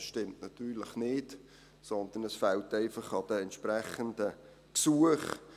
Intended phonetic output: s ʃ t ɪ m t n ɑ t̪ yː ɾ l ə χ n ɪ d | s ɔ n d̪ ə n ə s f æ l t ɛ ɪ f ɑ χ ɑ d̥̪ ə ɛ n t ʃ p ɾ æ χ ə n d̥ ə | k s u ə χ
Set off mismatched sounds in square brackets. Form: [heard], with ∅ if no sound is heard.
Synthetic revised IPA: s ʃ t ɪ m t n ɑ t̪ yː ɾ l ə χ n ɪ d | s ɔ n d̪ ə n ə s f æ l t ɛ ɪ f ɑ χ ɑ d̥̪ ə ɛ n t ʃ p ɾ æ χ ə n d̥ ə | k s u ə χ